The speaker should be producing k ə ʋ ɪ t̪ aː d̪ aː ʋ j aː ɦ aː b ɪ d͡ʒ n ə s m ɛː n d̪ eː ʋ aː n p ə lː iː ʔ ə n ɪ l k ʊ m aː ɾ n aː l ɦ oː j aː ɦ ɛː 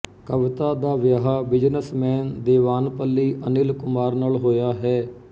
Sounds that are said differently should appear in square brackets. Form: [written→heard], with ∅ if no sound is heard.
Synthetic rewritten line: k ə ʋ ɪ t̪ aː d̪ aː ʋ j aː ɦ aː b ɪ d͡ʒ n ə s m ɛː n d̪ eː ʋ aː n p ə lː iː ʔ ə n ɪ l k ʊ m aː ɾ n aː l ɦ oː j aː ɦ ɛː